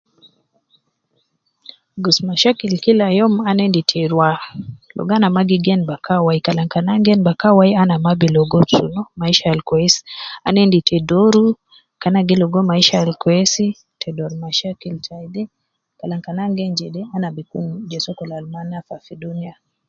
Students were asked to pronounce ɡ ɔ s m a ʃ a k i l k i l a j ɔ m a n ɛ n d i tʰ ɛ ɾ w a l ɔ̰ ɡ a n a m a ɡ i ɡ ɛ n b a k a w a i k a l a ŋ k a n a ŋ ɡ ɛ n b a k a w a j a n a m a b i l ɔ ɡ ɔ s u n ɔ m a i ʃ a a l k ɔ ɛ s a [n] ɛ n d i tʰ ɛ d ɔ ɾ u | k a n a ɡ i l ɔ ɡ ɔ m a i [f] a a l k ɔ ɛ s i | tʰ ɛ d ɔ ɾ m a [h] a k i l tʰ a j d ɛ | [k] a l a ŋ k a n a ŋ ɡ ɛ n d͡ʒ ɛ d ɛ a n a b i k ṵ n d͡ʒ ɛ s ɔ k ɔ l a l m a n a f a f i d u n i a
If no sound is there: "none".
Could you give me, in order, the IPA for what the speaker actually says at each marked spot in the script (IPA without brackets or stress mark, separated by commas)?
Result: n, ʃ, ʃ, k